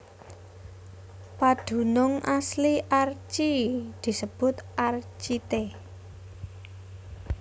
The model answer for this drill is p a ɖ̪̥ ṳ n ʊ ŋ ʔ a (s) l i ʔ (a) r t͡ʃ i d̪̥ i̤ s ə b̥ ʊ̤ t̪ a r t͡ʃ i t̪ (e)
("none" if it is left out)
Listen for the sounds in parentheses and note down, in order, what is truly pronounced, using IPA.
s, a, e

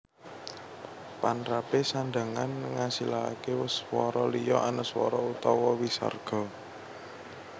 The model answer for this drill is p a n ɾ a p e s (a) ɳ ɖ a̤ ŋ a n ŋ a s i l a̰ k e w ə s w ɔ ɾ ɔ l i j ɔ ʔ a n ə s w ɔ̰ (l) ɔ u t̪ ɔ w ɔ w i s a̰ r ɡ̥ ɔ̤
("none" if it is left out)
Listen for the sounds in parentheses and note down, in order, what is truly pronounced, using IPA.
a, ɾ

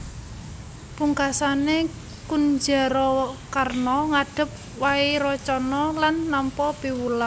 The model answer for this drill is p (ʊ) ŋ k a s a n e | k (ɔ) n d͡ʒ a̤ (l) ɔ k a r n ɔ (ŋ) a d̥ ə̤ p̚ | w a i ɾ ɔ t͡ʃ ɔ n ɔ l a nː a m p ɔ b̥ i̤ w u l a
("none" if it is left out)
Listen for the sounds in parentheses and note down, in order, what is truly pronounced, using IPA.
u, u, ɾ, ŋ

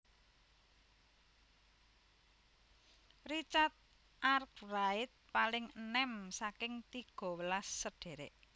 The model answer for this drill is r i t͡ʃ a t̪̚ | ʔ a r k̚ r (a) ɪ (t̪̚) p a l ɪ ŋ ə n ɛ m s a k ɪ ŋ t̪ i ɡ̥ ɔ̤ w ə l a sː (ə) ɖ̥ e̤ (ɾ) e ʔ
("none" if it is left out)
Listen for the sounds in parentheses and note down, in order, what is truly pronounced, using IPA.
a, t̪̚, ə, ɾ

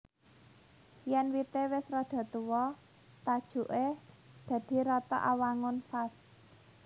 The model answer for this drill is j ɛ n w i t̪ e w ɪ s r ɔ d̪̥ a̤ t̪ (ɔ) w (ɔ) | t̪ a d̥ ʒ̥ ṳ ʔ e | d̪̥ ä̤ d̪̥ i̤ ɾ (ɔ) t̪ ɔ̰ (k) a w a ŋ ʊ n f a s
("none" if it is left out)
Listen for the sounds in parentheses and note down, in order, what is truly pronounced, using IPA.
u, ɔ, ɔ, ʔ

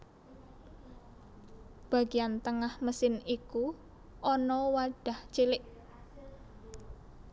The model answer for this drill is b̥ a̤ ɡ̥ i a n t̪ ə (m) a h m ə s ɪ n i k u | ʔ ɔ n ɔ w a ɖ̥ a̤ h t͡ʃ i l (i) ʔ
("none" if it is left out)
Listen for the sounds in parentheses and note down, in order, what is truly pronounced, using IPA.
ŋ, ɪ

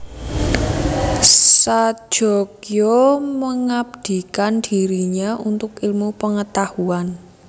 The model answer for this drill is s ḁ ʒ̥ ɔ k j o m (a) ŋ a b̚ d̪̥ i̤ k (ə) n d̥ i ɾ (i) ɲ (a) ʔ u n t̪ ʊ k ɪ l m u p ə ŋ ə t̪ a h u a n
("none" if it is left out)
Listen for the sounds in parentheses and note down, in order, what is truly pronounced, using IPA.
ə, a, i, a

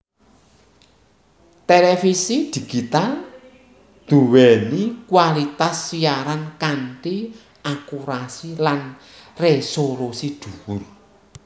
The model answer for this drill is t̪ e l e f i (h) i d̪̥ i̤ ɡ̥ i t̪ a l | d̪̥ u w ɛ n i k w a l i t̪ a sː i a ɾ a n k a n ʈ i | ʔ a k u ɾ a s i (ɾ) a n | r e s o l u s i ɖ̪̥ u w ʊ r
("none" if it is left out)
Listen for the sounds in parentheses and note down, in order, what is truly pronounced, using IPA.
s, l

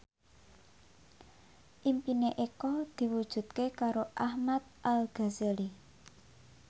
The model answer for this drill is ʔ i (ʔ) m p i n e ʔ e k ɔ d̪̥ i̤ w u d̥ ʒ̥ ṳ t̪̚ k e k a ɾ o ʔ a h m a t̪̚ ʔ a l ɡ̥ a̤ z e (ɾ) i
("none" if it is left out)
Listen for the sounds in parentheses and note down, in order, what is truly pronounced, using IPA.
none, l

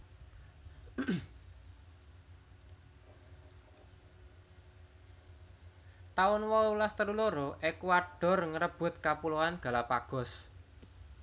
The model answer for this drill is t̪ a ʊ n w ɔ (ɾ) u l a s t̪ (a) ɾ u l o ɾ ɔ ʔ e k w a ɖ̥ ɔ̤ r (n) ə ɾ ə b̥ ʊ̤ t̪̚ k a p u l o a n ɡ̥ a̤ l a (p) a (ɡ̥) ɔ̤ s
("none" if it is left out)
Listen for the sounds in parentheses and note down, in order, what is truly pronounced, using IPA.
none, ə, ŋ, p, ɡ̥

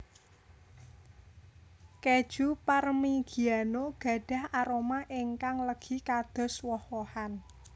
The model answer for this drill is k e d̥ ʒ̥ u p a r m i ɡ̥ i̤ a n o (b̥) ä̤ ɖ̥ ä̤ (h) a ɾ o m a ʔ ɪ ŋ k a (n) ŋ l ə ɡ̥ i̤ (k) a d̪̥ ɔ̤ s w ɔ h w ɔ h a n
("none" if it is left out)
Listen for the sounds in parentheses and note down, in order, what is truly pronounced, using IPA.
ɡ̥, h, none, k

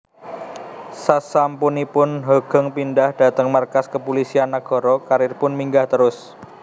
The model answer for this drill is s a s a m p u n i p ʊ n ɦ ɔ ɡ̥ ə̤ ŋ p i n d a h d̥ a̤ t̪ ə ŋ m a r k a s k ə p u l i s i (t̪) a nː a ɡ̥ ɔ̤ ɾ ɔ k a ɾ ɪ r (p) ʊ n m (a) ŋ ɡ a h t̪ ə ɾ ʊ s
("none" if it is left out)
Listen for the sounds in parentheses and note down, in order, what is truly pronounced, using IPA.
none, p, i

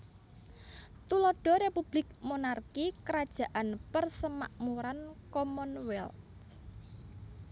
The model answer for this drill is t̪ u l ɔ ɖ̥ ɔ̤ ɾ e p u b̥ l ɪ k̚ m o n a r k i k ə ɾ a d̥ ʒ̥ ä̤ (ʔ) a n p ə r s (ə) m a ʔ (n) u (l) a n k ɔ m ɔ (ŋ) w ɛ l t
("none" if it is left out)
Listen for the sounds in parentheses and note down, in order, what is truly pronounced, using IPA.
ʔ, ə, m, ɾ, n

